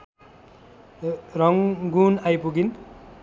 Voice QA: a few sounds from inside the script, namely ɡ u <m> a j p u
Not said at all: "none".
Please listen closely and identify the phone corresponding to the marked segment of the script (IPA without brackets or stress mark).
n